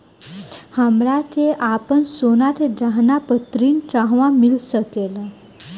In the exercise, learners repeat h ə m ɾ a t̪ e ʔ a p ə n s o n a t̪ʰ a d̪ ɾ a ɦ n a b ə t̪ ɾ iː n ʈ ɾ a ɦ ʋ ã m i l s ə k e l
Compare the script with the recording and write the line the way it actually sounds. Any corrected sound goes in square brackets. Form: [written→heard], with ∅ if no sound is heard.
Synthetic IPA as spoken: h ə m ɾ a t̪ e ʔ a p ə n s o n a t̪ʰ [a→e] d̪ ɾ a ɦ n a [b→p] ə t̪ ɾ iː n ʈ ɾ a ɦ ʋ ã m i l s ə k e l